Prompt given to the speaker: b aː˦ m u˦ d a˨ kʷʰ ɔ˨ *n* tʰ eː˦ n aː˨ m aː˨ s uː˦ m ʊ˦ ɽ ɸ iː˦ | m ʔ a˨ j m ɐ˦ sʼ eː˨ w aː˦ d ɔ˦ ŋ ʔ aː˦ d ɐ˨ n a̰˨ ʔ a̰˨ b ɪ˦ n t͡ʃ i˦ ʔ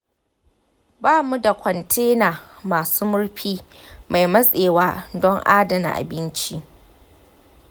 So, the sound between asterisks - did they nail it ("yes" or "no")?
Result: yes